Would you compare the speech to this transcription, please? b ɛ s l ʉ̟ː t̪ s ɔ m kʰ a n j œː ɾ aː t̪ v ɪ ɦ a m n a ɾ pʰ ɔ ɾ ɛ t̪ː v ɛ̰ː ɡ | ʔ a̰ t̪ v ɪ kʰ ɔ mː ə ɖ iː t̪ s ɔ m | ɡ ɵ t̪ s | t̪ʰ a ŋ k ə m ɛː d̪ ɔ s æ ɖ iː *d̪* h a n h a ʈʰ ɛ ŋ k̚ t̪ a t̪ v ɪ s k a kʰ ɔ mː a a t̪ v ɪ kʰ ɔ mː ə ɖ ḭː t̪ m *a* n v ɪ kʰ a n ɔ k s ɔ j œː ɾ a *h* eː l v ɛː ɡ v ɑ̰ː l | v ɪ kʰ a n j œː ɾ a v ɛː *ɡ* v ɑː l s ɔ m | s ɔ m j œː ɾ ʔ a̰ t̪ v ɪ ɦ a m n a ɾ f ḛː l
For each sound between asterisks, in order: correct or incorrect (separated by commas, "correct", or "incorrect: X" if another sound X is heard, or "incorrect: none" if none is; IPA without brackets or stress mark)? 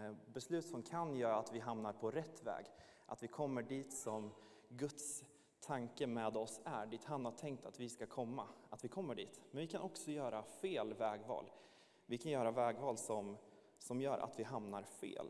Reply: incorrect: t̪, incorrect: ɛ, incorrect: f, correct